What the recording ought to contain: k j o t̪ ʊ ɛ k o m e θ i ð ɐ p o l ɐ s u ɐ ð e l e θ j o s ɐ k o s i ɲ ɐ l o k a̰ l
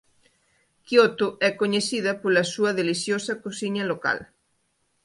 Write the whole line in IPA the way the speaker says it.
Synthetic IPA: k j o t̪ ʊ ɛ k o ɲ e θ i ð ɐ p o l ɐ s u ɐ ð e l i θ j o s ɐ k o s i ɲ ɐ l o k a̰ l

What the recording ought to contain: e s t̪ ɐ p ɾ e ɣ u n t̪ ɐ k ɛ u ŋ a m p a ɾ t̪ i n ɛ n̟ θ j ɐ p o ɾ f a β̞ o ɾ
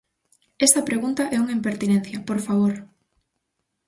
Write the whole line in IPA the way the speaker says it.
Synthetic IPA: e s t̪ ɐ p ɾ e ɣ u n t̪ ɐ ʔ ɛ u ŋ i m p e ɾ t̪ i n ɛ n̟ θ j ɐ p o ɾ f a β̞ o ɾ

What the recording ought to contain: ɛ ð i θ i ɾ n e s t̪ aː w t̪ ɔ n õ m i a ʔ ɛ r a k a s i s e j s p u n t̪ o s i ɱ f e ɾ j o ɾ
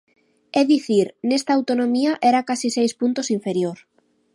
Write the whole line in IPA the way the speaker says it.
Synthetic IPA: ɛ ð i θ i ɾ n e s t̪ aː w t̪ o n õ m i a ʔ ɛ ɾ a k a s i s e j s p u n t̪ o s i ɱ f e ɾ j o ɾ

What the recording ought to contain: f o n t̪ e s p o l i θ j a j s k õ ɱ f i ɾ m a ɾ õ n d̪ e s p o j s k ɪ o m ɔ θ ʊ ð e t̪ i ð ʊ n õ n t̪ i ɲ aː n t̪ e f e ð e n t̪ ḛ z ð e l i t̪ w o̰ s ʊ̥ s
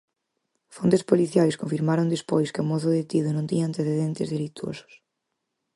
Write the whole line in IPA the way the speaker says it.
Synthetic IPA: f o n t̪ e s p o l i θ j a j s k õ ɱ f i ɾ m a ɾ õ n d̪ e s p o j s k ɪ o m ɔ θ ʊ ð e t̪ i ð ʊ n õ n t̪ i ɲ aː n t̪ e θ e ð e n t̪ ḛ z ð e l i t̪ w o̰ s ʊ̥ s

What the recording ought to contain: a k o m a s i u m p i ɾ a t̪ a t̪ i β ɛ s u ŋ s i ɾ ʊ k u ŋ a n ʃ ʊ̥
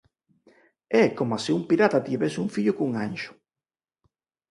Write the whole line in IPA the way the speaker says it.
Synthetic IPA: ɛ k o m a s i u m p i ɾ a t̪ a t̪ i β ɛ s u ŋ f i ʎ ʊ k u ŋ a n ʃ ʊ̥

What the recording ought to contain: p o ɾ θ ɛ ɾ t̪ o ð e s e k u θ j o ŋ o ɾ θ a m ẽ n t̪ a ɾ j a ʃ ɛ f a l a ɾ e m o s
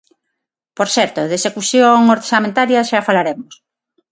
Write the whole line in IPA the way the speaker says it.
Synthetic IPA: p o ɾ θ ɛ ɾ t̪ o ð e s e k u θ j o ŋ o ɾ s a m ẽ n t̪ a ɾ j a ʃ a f a l a ɾ e m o s

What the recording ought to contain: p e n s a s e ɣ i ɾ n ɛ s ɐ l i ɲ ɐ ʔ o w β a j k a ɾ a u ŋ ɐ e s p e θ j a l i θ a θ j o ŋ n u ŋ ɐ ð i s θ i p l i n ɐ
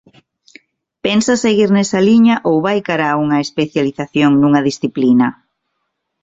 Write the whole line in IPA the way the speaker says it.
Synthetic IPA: p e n s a s e ɣ i ɾ n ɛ s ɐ l i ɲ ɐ ʔ o w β a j k a ɾ a u ŋ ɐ e s p e θ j a l i θ a θ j o ŋ n u ŋ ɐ ð i s θ i p l i n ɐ

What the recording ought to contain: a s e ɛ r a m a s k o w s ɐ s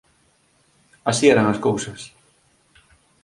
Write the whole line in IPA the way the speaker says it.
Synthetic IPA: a s i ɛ ɾ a ŋ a s k o w s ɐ s

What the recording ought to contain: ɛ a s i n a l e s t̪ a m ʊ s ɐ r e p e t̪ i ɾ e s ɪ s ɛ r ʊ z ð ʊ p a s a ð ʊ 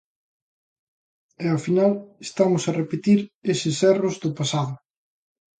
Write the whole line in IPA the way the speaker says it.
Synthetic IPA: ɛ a f i n a l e s t̪ a m ʊ s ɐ r e p e t̪ i ɾ e s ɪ s ɛ r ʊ z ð ʊ p a s a ð ʊ

